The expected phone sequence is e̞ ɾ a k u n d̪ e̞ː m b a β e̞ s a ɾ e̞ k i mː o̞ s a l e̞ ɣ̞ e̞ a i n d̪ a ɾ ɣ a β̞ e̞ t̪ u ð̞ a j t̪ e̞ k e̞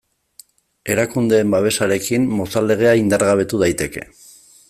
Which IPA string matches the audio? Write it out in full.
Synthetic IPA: e̞ ɾ a k u n d̪ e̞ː m b a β e̞ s a ɾ e̞ k i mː o̞ s a l e̞ ɣ̞ e̞ a i n d̪ a ɾ ɣ a β̞ e̞ t̪ u ð̞ a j t̪ e̞ k e̞